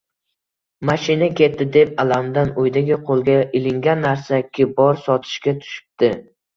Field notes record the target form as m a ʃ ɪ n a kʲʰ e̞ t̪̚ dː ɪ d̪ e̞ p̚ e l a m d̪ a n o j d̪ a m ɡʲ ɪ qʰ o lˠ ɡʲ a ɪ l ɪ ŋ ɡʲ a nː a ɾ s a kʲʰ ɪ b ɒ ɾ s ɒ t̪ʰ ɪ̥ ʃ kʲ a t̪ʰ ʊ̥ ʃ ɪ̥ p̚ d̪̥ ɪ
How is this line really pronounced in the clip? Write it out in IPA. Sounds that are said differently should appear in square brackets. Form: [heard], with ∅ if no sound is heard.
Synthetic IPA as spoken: m a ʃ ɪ n a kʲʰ e̞ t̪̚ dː ɪ d̪ e̞ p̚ [a] l a m d̪ a n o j d̪ a [∅] ɡʲ ɪ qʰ o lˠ ɡʲ a ɪ l ɪ ŋ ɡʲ a nː a ɾ s a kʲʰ ɪ b ɒ ɾ s ɒ t̪ʰ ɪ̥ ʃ kʲ a t̪ʰ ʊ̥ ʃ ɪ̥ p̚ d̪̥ ɪ